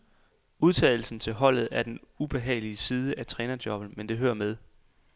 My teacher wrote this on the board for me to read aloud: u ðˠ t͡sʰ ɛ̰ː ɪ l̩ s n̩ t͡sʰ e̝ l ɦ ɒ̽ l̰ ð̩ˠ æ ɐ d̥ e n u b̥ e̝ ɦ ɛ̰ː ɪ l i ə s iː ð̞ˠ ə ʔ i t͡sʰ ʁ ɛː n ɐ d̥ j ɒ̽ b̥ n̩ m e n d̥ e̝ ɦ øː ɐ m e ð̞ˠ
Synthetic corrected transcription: u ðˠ t͡sʰ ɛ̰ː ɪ l̩ s n̩ t͡sʰ e̝ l ɦ ɒ̽ l̰ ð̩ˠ æ ɐ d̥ e n u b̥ e̝ ɦ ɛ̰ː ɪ l i ə s iː ð̞ˠ ə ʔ æ t͡sʰ ʁ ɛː n ɐ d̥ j ɒ̽ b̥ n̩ m e n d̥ e̝ ɦ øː ɐ m e ð̞ˠ